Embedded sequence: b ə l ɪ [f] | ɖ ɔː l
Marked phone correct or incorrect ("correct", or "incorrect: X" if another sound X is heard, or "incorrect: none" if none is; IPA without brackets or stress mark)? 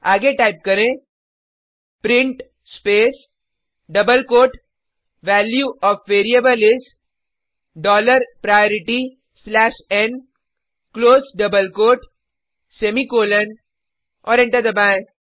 incorrect: s